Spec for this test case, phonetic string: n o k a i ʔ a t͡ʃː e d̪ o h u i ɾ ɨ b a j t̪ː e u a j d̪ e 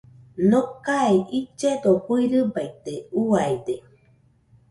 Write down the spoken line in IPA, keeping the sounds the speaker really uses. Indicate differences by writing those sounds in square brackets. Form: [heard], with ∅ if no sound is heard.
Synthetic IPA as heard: n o k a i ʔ [i] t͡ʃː e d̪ o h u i ɾ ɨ b a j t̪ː e u a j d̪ e